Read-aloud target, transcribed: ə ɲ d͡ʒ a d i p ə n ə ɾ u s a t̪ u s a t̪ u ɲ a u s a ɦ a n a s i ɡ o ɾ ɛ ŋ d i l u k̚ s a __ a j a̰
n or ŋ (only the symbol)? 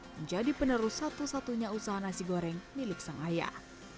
ŋ